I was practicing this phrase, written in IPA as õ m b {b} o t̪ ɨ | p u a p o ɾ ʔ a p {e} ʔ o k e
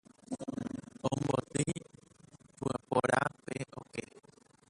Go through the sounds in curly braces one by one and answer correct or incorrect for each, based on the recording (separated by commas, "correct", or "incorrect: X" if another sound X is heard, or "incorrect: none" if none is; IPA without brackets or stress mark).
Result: correct, correct